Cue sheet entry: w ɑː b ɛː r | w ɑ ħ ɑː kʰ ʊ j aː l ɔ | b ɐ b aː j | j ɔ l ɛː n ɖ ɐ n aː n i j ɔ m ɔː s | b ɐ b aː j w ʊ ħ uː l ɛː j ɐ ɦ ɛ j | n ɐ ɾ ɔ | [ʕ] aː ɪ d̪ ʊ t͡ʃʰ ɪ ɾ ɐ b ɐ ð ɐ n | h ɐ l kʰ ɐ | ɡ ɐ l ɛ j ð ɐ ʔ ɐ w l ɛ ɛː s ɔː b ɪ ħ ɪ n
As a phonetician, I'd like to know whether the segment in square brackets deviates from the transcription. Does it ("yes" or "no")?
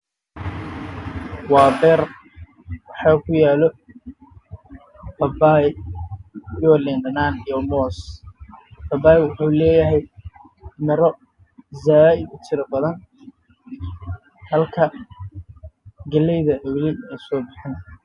yes